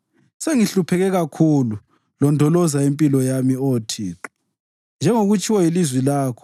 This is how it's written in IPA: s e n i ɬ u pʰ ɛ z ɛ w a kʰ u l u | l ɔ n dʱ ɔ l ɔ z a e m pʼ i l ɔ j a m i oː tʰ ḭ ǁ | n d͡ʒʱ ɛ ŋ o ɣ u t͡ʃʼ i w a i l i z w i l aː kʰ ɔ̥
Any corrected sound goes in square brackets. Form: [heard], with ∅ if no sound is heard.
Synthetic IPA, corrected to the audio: s e [ŋ] i ɬ u pʰ ɛ [ɣ] ɛ [ɣ] a kʰ u l u | l ɔ n dʱ ɔ l ɔ z a e m pʼ i l ɔ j a m i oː tʰ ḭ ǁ | n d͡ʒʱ ɛ ŋ o ɣ u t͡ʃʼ i w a i l i z w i l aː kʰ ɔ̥